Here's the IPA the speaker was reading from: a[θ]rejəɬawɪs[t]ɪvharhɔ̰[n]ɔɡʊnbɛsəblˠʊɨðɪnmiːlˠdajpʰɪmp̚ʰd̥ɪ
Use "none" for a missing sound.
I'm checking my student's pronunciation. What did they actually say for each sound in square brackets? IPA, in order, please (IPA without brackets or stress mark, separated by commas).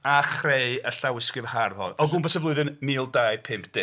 χ, k, n